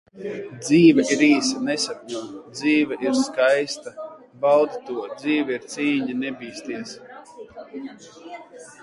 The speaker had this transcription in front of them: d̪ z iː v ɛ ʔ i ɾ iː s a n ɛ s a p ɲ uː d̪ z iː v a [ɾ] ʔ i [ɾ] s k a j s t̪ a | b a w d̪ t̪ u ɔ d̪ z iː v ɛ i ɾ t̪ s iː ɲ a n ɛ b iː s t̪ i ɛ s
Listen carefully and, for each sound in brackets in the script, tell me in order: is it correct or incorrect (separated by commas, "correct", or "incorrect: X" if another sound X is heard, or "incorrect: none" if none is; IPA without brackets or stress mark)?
incorrect: none, correct